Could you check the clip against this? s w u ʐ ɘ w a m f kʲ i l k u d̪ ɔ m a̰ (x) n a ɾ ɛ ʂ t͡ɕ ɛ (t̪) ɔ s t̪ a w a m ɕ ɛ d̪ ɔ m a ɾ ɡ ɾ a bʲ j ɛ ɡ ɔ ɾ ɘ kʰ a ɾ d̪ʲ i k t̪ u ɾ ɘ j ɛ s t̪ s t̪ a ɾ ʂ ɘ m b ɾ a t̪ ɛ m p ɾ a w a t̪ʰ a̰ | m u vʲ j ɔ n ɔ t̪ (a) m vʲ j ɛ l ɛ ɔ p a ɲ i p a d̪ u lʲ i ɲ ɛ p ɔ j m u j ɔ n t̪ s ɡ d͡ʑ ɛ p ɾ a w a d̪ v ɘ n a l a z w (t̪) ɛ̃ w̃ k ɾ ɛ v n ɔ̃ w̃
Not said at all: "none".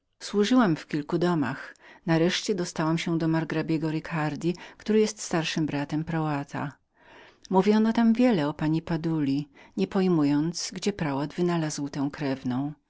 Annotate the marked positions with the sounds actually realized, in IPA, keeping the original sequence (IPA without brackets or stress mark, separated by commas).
x, d̪, a, t̪